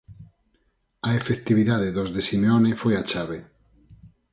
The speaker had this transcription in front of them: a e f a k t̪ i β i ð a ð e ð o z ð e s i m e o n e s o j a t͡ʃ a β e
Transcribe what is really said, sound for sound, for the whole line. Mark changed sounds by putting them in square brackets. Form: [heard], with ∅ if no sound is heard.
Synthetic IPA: a e f [e] k t̪ i β i ð a ð e ð o z ð e s i m e o n e [f] o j a t͡ʃ a β e